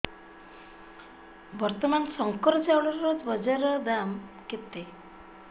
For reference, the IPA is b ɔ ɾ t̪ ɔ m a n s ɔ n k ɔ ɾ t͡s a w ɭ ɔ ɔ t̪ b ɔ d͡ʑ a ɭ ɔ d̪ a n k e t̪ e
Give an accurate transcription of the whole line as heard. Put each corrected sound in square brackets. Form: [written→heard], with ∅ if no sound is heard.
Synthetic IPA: b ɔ ɾ t̪ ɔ m a n s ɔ [n→ŋ] k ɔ ɾ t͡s a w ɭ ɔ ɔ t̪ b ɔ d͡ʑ a [ɭ→ɾ] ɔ d̪ a [n→m] k e t̪ e